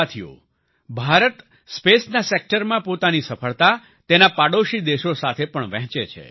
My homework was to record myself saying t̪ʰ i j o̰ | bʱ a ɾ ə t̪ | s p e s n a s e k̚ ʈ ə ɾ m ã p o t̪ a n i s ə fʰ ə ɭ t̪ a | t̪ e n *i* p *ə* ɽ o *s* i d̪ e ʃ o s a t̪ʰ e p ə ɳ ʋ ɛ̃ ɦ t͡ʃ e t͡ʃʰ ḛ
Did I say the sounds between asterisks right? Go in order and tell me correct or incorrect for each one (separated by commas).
incorrect, incorrect, incorrect